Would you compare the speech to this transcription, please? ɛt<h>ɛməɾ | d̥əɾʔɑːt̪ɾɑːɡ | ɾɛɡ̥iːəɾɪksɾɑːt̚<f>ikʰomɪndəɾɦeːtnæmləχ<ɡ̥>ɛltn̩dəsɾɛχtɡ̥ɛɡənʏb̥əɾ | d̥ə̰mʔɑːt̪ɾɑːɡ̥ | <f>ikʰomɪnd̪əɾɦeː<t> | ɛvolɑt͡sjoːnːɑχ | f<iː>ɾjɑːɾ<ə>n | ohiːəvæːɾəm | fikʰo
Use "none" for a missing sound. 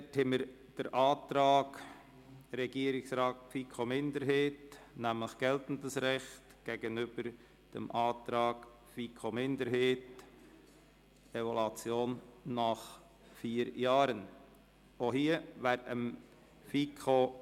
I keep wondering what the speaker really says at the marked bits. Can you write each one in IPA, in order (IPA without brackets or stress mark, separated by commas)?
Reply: h, f, ɡ̥, f, t, iː, ə